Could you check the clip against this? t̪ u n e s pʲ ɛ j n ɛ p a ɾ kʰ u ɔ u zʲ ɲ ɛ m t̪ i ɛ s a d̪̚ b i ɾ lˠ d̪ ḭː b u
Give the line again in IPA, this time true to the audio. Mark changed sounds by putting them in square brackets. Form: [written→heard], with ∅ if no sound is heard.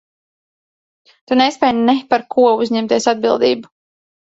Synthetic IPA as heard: t̪ u n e s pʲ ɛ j n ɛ p a ɾ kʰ u ɔ u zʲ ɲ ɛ m t̪ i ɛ s a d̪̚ b i [ɾ→∅] lˠ d̪ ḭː b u